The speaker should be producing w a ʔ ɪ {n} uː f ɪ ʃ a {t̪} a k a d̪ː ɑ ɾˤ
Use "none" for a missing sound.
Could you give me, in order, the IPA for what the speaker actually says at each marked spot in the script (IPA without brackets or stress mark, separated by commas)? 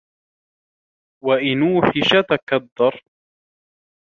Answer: n, t̪